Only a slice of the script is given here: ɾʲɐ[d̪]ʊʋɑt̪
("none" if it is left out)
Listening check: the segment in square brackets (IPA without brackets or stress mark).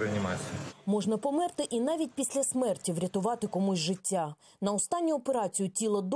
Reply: t̪